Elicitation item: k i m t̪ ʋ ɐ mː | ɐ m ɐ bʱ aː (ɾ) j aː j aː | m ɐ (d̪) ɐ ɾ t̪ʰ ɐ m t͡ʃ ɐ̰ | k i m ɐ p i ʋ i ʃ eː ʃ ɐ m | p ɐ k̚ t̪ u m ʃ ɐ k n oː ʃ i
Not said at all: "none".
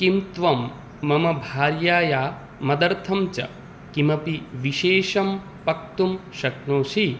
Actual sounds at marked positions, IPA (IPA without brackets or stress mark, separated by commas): ɾ, d̪